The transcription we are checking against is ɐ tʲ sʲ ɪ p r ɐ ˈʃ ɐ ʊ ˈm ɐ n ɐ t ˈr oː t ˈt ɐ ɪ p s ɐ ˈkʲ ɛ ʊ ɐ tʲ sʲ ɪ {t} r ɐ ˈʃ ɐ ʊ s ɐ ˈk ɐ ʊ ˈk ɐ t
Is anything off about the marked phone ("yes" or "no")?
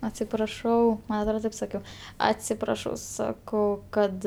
yes